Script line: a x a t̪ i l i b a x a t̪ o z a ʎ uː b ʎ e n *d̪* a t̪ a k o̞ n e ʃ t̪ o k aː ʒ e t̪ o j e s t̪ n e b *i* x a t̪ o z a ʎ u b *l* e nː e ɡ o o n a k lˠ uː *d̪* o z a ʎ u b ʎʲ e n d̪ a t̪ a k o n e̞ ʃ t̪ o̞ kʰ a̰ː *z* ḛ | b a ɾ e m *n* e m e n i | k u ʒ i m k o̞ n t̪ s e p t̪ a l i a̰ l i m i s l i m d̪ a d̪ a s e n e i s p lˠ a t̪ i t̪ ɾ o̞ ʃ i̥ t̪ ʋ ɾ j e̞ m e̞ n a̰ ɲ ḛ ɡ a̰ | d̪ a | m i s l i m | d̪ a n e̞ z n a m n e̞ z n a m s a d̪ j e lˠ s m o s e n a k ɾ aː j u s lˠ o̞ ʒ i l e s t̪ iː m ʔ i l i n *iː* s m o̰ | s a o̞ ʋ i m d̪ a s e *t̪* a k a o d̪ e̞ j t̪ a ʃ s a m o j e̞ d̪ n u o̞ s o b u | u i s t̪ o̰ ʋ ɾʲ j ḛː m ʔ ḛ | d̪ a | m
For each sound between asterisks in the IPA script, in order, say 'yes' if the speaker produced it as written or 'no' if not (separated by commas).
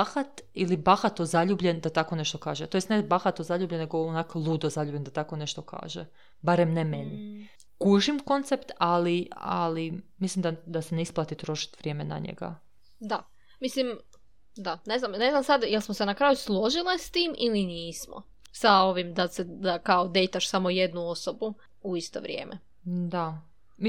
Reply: yes, no, no, yes, no, yes, yes, no